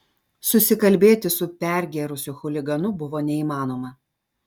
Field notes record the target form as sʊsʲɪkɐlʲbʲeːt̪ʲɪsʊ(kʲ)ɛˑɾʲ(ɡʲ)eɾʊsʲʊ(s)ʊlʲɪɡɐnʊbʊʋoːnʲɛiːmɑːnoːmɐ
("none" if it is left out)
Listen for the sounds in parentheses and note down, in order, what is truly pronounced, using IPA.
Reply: pʲ, ɡʲ, x

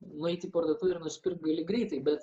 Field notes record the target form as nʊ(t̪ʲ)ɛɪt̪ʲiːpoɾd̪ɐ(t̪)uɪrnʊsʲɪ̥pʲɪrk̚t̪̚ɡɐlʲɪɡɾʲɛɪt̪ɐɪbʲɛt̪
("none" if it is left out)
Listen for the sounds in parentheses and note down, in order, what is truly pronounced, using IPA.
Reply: none, t̪

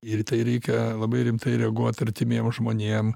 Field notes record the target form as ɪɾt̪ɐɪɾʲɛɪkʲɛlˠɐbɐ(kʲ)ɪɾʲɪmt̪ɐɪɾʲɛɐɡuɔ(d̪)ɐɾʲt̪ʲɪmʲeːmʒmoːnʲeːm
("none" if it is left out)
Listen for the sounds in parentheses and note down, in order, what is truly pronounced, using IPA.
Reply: none, t̪

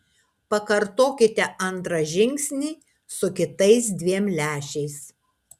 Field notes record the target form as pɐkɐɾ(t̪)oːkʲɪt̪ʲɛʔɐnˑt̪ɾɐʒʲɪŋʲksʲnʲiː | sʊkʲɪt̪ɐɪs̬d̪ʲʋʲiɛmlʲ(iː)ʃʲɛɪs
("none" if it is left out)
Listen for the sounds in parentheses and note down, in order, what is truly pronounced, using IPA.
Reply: t̪, æː

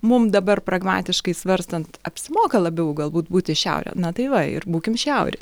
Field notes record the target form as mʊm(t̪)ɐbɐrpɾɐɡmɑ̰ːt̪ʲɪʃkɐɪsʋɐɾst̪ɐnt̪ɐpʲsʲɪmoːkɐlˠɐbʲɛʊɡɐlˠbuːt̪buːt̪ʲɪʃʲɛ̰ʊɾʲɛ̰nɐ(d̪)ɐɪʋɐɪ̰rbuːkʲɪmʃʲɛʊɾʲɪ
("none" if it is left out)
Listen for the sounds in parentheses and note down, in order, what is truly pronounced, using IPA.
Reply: d̪, t̪

